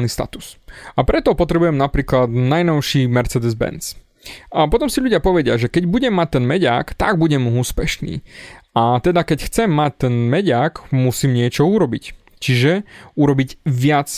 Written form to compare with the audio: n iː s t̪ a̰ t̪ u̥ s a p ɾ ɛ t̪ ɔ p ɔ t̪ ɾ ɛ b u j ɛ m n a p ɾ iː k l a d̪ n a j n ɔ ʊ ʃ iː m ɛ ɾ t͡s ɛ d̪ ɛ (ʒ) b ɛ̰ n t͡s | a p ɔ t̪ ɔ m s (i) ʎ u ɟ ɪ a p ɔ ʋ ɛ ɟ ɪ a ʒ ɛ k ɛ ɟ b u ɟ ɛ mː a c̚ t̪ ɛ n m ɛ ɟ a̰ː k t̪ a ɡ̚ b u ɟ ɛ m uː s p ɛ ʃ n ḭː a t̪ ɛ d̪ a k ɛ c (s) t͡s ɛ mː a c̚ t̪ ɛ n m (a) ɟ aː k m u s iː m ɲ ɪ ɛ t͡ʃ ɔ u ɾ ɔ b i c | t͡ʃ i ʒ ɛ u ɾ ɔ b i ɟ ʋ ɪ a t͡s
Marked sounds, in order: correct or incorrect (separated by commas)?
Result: incorrect, correct, incorrect, incorrect